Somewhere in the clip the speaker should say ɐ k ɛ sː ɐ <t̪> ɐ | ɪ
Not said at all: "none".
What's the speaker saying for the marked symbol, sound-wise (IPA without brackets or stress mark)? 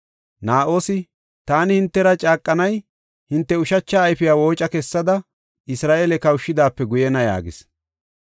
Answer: d̪